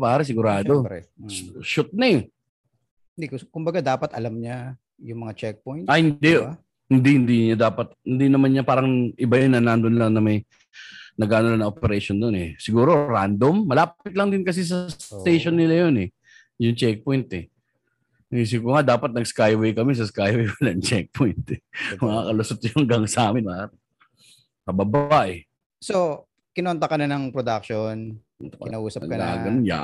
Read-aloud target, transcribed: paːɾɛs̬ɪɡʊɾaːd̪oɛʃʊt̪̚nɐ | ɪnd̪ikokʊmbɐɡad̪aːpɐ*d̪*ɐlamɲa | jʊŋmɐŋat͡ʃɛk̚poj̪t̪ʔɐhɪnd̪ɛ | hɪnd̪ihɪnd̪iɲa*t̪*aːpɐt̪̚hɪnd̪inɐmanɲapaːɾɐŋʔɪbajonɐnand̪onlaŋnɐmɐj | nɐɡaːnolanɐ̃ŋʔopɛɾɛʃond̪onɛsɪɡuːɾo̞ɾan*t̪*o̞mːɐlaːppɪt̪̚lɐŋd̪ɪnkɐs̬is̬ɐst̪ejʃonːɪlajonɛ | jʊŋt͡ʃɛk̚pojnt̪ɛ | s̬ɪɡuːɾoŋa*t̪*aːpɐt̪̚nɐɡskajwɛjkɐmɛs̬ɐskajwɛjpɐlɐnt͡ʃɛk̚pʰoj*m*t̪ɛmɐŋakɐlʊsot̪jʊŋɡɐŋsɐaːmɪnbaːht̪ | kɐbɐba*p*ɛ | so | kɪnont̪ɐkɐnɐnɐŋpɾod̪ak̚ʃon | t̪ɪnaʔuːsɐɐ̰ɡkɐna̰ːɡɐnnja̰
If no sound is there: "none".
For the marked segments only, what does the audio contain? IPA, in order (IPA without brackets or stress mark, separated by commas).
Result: t̪, d̪, d̪, d̪, n, ʔ